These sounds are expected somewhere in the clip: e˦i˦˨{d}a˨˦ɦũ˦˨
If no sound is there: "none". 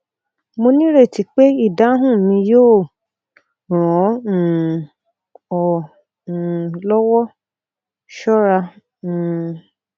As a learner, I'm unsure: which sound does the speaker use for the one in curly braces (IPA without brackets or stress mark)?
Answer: d